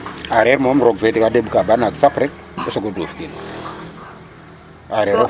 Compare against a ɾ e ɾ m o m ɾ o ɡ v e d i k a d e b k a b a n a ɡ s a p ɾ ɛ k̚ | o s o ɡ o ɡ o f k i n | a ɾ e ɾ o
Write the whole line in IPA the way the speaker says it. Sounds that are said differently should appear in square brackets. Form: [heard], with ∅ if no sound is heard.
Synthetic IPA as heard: a ɾ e ɾ m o m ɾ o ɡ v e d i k a d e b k a b a n a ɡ s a p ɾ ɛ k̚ | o s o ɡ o [d] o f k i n | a ɾ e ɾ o